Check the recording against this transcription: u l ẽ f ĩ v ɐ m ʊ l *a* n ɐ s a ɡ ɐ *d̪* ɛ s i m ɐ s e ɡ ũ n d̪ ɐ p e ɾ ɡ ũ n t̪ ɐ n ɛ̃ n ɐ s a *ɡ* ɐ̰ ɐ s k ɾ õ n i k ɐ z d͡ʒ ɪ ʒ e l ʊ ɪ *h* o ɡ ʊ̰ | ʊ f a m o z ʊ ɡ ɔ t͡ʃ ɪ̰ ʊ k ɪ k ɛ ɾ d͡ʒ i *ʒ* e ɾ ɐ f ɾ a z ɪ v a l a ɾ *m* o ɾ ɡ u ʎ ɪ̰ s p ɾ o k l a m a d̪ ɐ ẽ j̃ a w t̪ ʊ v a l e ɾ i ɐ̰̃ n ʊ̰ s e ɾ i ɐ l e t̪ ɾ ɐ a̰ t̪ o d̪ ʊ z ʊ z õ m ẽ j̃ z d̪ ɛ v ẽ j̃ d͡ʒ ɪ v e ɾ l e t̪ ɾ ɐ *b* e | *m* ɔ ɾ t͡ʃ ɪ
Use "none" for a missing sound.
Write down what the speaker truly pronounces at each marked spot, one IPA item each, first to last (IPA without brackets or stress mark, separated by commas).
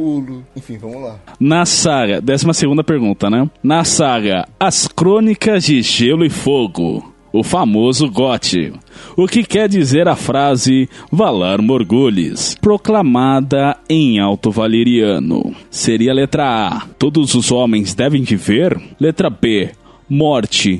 a, d̪, ɡ, f, z, m, b, m